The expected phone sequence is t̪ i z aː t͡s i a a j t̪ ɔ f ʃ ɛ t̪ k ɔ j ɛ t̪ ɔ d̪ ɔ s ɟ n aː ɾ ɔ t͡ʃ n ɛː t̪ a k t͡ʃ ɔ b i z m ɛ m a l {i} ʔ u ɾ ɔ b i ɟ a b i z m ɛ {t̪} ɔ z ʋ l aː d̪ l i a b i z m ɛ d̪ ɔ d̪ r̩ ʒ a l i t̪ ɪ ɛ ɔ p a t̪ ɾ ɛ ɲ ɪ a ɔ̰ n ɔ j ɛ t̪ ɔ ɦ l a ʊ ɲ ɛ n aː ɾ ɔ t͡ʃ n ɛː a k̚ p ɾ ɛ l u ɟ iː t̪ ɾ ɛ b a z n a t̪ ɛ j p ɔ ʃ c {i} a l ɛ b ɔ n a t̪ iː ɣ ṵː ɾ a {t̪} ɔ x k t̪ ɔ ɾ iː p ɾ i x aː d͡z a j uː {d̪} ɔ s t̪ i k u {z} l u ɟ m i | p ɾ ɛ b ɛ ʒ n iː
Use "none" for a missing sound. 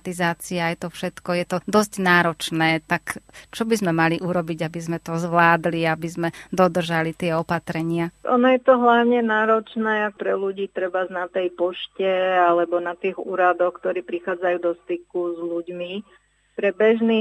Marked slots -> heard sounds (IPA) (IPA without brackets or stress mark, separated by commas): i, t̪, ɛ, d̪, d̪, z